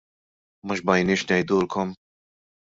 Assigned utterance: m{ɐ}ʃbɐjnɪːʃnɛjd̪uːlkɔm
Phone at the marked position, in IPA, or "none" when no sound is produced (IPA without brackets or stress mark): ɐ